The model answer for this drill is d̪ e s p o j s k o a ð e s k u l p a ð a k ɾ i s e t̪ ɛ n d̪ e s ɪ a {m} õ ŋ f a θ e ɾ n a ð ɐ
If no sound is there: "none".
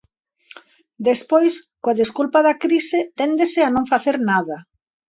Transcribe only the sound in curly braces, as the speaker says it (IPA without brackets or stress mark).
n